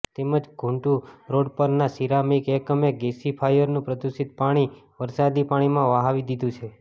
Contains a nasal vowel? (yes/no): yes